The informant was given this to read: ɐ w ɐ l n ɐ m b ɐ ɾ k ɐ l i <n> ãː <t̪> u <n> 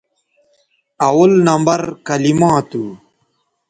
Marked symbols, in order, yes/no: no, yes, no

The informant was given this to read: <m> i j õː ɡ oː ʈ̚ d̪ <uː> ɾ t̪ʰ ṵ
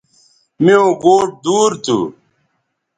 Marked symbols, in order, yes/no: yes, yes

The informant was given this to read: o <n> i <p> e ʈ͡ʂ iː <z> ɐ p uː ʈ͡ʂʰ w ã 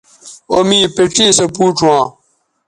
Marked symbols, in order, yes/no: no, yes, no

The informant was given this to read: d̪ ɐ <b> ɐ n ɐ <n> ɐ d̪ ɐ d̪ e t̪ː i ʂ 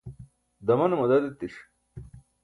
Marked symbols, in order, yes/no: no, no

